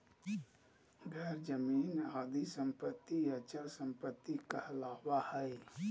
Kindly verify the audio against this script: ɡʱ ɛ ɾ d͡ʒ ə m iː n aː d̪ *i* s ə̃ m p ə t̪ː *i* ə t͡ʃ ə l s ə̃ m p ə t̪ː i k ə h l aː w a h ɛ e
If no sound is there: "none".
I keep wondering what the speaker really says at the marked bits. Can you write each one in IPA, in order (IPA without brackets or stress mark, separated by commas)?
i, i